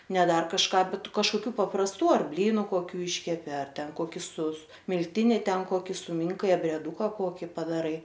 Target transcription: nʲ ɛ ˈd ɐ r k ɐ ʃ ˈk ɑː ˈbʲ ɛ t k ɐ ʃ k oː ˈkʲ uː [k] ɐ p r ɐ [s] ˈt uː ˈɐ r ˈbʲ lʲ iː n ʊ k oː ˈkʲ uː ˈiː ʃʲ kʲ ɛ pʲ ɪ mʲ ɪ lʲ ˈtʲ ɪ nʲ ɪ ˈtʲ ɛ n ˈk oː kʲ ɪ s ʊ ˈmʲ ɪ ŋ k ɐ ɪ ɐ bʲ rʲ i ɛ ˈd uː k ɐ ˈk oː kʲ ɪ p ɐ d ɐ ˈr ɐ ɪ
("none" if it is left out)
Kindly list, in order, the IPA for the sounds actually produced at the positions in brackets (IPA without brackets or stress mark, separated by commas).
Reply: p, s